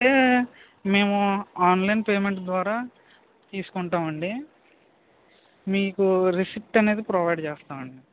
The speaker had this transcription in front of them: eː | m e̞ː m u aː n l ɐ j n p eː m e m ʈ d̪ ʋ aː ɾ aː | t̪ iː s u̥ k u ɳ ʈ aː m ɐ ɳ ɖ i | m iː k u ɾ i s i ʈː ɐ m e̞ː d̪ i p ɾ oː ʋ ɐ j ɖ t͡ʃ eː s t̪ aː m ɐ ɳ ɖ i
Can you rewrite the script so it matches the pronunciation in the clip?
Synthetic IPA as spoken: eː | m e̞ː m u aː n l ɐ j n p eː m e ɳ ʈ d̪ ʋ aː ɾ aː | t̪ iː s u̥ k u ɳ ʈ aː m ɐ ɳ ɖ i | m iː k u ɾ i s i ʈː ɐ n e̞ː d̪ i p ɾ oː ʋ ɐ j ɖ t͡ʃ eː s t̪ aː m ɐ ɳ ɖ i